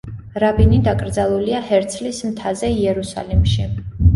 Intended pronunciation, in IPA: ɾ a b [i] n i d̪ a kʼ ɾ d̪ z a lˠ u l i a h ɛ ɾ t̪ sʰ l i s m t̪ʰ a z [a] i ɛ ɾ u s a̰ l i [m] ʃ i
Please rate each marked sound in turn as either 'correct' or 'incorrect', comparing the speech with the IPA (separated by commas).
correct, incorrect, correct